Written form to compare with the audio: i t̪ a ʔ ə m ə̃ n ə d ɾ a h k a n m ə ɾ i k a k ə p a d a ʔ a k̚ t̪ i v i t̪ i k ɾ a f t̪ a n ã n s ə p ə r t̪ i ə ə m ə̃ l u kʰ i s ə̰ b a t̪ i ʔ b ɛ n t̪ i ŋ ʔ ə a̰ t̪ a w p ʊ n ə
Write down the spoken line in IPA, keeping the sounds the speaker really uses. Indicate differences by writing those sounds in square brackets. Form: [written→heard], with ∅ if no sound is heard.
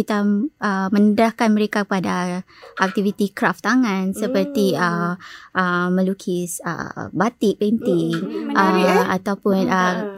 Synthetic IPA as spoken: i t̪ a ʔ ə m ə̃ n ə d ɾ a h k a n m ə ɾ [i→e] k a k ə p a d a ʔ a k̚ t̪ i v i t̪ i k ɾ a f t̪ a [n→ŋ] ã n s ə p ə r t̪ i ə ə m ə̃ l u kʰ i s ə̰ b a t̪ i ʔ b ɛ n t̪ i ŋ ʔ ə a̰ t̪ a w p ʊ n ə